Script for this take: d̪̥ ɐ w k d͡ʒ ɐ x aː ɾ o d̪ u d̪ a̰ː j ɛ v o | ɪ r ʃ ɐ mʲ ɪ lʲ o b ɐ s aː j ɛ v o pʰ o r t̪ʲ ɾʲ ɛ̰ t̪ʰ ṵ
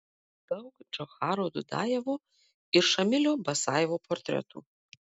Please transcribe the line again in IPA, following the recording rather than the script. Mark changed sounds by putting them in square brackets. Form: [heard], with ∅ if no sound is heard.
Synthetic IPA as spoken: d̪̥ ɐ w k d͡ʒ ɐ x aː ɾ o d̪ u d̪ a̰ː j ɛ v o | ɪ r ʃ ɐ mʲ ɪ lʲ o b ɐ s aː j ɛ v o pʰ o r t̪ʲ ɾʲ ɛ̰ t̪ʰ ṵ

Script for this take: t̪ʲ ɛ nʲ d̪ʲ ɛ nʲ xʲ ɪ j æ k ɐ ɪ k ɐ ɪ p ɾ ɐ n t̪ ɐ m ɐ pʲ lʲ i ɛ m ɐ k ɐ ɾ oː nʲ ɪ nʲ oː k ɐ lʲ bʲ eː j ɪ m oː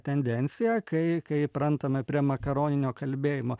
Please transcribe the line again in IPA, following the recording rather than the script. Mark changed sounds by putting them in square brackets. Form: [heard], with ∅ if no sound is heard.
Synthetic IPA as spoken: t̪ʲ ɛ nʲ d̪ʲ ɛ nʲ [sʲ] ɪ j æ k ɐ ɪ k ɐ ɪ p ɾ ɐ n t̪ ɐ m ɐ pʲ [ɾʲ] i ɛ m ɐ k ɐ ɾ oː nʲ ɪ nʲ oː k ɐ lʲ bʲ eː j ɪ m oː

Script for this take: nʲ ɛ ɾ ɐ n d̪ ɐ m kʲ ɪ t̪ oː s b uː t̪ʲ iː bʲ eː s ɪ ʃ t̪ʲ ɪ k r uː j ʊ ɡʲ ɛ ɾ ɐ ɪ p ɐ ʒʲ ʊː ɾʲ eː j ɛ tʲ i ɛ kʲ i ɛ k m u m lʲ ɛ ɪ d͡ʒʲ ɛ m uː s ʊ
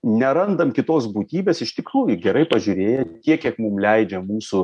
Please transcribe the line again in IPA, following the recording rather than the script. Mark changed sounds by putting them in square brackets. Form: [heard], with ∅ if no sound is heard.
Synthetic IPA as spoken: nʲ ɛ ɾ ɐ n d̪ ɐ m kʲ ɪ t̪ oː s b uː t̪ʲ iː bʲ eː s ɪ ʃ t̪ʲ ɪ k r uː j ʊ ɡʲ ɛ ɾ ɐ ɪ p ɐ ʒʲ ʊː ɾʲ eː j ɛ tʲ i ɛ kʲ i ɛ k m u m lʲ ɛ ɪ d͡ʒʲ ɛ m uː s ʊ

